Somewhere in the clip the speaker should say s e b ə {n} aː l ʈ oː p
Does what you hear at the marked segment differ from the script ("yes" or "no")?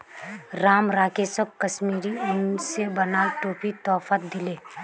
no